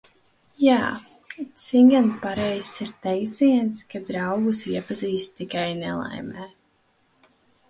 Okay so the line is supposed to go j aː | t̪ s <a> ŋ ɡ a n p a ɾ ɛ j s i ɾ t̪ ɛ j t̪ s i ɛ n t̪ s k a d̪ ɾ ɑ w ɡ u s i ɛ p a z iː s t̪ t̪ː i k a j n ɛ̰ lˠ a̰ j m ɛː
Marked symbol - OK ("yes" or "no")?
no